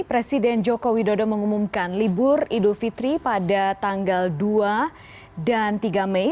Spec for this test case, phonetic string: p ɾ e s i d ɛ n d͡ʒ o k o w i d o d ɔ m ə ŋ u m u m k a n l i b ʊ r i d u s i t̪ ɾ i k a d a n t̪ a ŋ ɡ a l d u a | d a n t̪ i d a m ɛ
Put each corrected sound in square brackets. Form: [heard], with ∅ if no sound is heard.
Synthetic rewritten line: p ɾ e s i d ɛ n d͡ʒ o k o w i d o d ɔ m ə ŋ u m u m k a n l i b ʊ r i d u [f] i t̪ ɾ i [p] a d a [∅] t̪ a ŋ ɡ a l d u a | d a n t̪ i [ɡ] a m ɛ